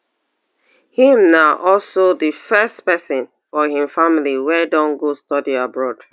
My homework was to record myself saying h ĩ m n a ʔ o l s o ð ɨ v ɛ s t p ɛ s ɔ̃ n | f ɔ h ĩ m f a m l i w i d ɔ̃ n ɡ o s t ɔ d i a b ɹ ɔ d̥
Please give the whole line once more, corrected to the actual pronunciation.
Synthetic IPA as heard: h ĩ m n a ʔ ɔ l s o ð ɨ f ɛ s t p ɛ s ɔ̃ n | f ɔ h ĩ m f a m l i w ɛ d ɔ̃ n ɡ o s t ɔ d i a b ɹ ɔ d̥